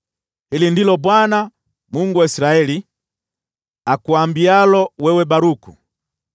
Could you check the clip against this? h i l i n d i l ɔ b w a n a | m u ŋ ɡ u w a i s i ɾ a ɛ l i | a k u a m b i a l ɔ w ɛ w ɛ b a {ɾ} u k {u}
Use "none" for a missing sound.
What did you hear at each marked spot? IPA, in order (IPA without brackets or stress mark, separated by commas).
ɾ, u